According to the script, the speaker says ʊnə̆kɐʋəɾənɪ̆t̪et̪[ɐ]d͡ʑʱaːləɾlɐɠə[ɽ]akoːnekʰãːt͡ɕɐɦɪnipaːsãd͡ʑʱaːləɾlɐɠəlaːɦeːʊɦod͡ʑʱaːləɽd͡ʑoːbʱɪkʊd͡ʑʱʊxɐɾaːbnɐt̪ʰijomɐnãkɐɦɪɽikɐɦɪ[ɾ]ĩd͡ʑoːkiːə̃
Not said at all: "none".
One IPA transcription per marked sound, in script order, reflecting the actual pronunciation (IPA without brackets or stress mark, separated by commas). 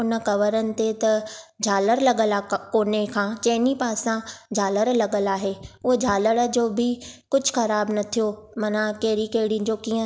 ɐ, l, ɽ